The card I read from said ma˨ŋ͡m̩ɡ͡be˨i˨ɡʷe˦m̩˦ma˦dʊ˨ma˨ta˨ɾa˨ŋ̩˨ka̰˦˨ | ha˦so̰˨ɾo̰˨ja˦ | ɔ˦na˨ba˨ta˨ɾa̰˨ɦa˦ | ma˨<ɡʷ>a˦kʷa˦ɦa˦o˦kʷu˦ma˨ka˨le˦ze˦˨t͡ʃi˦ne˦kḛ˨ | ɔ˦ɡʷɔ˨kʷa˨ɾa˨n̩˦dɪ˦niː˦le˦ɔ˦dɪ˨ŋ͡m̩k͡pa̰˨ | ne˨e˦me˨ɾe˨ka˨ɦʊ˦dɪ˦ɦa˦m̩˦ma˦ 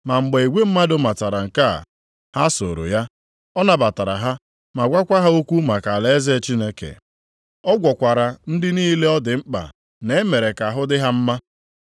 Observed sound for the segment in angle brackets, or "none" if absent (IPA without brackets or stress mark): ɡʷ